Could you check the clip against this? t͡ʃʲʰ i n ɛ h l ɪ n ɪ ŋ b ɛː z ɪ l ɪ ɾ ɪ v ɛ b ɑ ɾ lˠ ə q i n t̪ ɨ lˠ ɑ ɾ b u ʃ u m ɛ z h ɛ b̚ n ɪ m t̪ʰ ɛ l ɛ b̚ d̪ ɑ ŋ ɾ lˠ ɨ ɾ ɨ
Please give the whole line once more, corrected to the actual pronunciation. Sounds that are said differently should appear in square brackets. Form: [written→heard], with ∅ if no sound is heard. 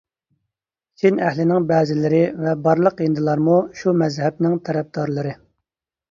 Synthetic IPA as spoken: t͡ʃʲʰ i n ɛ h l ɪ n ɪ ŋ b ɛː z ɪ l ɪ ɾ ɪ v ɛ b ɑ ɾ lˠ ə q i n [t̪→d̪] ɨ lˠ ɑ ɾ [b→m] u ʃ u m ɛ z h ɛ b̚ n ɪ [m→ŋ] t̪ʰ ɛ [l→ɾ] ɛ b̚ d̪ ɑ [ŋ→∅] ɾ lˠ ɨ ɾ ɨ